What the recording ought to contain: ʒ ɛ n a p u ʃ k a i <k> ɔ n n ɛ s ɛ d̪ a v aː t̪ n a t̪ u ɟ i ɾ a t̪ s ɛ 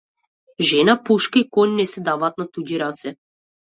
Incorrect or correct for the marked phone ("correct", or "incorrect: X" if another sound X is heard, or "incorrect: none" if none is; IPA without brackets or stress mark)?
correct